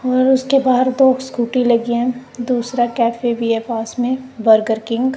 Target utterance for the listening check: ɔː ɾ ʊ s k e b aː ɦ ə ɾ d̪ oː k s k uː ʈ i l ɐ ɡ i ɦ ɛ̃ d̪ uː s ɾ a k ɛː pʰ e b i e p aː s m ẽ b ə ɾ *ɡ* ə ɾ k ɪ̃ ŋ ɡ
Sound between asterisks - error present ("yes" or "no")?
no